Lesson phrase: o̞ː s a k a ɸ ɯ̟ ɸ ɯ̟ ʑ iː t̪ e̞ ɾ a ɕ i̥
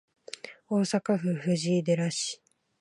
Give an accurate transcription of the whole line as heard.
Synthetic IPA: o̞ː s a k a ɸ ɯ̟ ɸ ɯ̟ ʑ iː d̪ e̞ ɾ a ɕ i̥